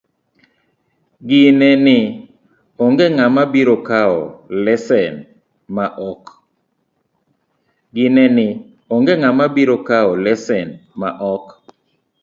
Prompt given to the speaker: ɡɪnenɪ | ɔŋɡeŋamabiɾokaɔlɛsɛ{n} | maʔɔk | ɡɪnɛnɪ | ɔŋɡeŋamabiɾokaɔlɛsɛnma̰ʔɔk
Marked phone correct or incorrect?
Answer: correct